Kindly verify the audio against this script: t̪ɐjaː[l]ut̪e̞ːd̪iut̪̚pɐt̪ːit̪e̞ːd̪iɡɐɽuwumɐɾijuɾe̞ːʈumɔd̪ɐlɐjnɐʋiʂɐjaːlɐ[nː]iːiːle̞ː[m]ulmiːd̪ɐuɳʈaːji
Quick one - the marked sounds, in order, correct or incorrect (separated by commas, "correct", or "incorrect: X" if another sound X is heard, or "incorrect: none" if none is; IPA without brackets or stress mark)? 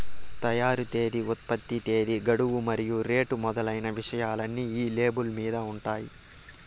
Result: incorrect: ɾ, correct, incorrect: b